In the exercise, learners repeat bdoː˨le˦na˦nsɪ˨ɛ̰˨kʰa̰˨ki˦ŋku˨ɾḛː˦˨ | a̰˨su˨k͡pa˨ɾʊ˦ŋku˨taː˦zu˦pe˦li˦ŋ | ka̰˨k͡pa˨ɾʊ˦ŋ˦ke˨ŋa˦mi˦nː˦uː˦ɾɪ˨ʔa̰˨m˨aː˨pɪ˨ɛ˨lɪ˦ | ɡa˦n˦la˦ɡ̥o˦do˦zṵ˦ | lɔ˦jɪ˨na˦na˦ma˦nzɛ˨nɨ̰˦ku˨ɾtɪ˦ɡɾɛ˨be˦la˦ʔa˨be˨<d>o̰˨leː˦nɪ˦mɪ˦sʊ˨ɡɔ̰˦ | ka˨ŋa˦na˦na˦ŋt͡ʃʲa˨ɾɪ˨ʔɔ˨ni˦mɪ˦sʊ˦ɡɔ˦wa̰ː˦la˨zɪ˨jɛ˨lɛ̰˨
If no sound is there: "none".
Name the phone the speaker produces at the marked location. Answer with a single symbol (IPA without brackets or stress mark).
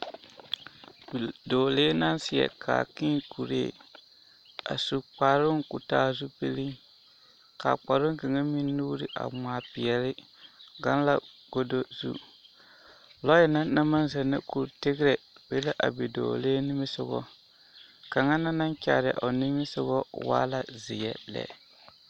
d